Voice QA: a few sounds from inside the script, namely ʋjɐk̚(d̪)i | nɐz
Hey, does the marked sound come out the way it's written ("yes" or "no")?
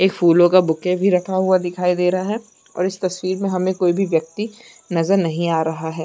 no